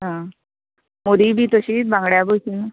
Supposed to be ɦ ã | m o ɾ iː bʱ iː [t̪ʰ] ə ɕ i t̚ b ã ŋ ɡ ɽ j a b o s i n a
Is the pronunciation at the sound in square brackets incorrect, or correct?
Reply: incorrect